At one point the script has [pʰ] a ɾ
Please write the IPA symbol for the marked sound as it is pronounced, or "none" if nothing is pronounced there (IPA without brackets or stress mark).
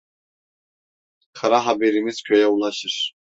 kʰ